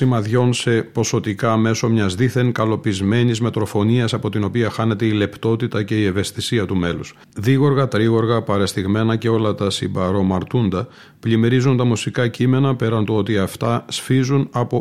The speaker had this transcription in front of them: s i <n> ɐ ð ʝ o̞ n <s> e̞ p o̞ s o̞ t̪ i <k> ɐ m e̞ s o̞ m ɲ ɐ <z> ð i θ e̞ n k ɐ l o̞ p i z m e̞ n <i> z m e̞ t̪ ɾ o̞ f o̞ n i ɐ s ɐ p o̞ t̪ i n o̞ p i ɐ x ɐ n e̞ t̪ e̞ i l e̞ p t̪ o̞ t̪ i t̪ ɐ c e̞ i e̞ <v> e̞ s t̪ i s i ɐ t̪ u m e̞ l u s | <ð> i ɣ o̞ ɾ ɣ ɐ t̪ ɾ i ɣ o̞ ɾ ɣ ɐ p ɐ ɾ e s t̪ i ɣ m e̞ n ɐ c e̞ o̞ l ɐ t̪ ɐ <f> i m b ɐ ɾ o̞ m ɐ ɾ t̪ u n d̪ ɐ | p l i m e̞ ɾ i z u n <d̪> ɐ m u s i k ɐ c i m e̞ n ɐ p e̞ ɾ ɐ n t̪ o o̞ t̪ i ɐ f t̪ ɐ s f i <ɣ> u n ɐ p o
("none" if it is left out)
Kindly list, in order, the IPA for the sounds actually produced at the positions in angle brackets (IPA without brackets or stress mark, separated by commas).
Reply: m, s, k, z, i, v, ð, s, t̪, z